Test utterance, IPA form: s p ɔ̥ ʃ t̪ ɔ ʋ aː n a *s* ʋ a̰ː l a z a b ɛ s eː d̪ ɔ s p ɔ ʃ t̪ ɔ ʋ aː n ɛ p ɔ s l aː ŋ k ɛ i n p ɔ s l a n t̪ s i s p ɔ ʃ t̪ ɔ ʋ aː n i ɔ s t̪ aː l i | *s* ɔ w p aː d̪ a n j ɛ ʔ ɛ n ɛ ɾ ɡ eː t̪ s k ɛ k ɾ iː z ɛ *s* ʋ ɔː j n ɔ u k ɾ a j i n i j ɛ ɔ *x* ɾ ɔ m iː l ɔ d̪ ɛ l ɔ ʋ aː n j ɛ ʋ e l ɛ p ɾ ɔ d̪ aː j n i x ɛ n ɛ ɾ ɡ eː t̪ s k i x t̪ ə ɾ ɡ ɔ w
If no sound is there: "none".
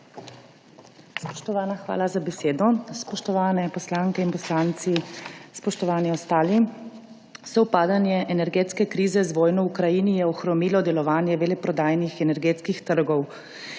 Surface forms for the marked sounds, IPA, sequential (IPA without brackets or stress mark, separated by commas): x, s, z, x